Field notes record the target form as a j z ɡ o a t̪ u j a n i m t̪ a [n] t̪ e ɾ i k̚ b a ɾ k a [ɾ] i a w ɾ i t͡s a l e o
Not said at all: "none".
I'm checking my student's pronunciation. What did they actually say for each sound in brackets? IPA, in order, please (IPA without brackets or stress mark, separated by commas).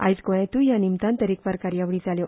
n, ɾ